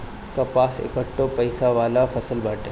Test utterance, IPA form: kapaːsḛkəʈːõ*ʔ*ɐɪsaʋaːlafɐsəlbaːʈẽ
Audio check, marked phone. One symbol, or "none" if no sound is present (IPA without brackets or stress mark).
p